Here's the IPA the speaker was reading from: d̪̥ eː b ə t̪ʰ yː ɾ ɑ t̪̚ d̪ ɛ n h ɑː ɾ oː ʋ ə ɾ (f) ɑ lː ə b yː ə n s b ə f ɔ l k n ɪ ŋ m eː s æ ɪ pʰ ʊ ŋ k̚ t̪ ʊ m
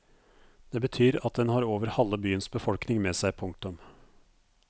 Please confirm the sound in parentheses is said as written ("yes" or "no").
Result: no